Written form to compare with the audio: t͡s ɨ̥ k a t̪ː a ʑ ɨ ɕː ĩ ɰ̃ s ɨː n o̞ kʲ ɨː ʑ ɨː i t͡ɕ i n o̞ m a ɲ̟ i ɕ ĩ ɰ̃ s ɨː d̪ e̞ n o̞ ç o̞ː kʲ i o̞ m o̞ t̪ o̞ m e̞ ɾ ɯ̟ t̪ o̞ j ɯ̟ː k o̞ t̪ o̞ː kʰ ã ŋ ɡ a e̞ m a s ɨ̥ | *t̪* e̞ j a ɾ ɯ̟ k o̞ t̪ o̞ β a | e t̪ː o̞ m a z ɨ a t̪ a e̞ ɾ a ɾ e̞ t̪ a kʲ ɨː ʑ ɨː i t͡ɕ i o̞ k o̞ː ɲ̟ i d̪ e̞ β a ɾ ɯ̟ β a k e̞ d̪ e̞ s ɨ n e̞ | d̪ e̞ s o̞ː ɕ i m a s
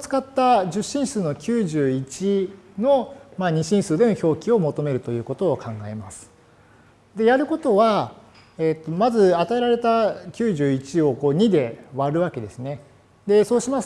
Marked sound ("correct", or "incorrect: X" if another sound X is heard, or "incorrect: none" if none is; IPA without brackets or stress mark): incorrect: d̪